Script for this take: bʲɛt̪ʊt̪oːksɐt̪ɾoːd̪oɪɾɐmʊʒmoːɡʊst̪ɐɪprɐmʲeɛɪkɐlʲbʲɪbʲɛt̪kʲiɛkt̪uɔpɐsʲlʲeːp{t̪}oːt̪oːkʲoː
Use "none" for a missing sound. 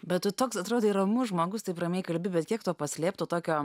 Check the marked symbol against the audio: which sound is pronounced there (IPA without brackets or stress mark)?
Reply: t̪